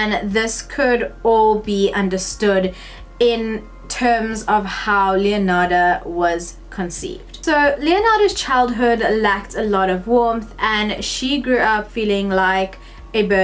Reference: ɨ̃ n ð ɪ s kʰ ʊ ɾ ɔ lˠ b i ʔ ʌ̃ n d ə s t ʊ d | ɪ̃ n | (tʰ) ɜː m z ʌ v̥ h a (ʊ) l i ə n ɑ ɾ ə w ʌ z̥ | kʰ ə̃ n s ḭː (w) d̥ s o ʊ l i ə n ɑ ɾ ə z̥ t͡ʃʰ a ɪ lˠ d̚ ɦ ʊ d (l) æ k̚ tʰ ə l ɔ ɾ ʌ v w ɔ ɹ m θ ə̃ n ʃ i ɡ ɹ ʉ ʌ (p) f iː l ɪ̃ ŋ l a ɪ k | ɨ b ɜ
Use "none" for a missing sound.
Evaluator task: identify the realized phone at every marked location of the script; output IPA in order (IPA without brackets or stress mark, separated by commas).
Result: tʰ, ʊ, v, l, p